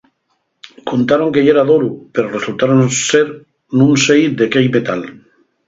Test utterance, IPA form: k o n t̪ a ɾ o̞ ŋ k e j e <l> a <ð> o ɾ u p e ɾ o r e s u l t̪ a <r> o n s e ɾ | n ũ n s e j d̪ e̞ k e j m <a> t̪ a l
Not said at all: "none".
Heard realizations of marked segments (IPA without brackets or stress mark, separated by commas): ɾ, ð, ɾ, e